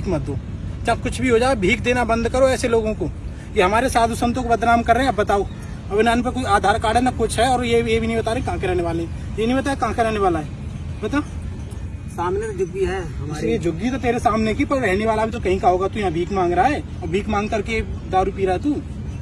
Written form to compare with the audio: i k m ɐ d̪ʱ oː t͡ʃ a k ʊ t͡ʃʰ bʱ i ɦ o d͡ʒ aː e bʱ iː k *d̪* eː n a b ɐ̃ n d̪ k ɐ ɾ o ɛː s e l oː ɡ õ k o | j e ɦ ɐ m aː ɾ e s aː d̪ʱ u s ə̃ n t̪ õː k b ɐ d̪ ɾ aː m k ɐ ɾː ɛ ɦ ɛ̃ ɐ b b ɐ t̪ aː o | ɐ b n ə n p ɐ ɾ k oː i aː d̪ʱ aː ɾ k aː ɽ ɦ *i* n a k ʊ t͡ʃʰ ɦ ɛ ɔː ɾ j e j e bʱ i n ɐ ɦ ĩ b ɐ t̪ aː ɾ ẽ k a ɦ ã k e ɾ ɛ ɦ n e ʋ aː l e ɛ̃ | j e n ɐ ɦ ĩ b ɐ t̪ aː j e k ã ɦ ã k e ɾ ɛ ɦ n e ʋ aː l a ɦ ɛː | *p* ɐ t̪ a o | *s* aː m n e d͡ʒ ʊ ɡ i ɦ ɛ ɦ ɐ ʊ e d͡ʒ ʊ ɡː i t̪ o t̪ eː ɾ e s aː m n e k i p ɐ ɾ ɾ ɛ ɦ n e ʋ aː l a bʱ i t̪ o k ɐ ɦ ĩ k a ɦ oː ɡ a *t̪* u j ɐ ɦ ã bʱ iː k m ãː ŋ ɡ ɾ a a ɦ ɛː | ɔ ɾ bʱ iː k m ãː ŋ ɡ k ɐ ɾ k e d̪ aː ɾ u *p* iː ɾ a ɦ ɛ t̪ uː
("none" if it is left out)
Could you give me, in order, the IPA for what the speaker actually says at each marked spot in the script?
d̪, ɛ, b, s, t̪, p

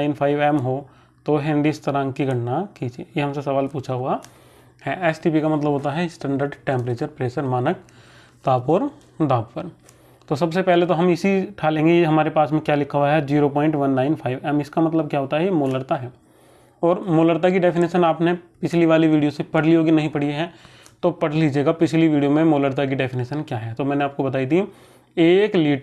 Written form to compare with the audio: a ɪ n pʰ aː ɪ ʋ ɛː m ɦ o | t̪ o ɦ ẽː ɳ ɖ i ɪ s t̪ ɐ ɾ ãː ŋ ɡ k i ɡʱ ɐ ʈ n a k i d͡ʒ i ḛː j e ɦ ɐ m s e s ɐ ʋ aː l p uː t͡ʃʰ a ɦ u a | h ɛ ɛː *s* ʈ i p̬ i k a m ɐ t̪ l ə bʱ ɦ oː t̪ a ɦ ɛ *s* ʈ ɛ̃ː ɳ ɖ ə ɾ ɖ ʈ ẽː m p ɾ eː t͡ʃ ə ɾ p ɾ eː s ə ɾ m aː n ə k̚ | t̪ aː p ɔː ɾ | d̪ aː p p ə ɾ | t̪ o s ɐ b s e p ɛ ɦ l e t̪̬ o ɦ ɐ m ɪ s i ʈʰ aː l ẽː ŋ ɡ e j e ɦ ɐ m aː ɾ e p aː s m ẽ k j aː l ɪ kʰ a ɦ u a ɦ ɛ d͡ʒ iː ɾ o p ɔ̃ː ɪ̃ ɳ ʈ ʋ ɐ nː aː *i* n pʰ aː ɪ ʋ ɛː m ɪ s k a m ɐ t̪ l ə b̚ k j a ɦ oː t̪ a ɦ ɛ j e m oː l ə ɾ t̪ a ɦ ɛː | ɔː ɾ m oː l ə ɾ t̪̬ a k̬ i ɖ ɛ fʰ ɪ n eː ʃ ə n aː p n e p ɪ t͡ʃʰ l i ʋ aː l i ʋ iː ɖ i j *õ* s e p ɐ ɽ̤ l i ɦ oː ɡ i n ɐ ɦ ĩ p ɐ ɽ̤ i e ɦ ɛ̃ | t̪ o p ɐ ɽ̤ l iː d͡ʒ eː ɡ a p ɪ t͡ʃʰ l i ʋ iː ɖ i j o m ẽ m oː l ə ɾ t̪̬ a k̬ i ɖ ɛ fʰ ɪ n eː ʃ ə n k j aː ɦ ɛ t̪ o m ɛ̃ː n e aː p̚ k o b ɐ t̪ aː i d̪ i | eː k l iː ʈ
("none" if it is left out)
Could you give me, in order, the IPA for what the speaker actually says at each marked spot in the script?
s, s, ɪ, o

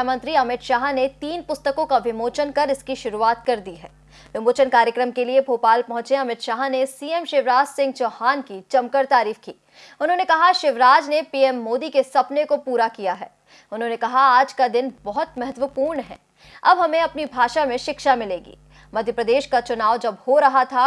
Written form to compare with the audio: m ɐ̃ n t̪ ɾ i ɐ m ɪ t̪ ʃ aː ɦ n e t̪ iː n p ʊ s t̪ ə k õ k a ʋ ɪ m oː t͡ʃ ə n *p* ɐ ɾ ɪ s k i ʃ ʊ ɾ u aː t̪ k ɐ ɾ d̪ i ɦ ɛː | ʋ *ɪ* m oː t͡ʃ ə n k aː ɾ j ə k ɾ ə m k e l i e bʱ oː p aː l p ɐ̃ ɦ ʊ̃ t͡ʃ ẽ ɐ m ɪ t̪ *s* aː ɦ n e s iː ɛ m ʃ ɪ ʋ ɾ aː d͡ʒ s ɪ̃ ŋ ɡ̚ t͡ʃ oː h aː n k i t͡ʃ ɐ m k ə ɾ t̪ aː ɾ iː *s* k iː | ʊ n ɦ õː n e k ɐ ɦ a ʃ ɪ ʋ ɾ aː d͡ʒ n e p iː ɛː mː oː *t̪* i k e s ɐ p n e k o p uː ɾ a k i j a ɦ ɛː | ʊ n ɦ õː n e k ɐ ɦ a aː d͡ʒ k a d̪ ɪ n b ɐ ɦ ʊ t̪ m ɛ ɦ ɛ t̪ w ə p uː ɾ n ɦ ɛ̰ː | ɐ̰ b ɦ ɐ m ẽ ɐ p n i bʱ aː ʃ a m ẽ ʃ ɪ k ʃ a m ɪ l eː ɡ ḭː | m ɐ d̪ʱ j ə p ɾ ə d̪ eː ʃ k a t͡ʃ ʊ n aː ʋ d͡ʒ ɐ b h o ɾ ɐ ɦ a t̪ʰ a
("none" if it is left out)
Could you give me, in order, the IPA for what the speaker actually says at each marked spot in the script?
k, ɪ, ʃ, f, d̪

